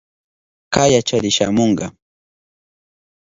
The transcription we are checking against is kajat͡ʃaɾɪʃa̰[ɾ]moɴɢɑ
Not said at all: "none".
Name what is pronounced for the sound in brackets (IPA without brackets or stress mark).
none